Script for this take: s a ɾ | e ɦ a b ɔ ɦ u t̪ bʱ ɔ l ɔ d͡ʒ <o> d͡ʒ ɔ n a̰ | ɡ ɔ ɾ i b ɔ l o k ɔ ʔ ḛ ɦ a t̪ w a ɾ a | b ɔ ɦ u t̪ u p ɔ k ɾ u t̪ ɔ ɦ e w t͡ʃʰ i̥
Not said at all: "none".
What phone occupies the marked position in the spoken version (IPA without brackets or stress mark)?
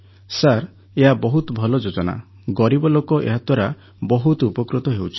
o